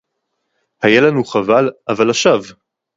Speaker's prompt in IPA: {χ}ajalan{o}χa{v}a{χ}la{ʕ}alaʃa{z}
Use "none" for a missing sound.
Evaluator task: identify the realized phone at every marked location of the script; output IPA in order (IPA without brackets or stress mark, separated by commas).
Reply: h, u, v, none, v, v